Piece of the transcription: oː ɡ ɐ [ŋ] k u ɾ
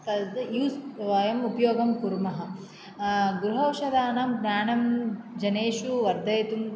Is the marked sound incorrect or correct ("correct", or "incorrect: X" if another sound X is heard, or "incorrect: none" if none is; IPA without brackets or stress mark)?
incorrect: m